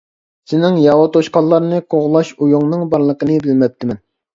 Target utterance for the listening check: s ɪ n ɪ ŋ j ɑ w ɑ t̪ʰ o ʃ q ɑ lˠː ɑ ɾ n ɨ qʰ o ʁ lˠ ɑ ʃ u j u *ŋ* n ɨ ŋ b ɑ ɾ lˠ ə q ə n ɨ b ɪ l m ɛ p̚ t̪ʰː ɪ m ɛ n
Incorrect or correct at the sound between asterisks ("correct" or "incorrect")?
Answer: correct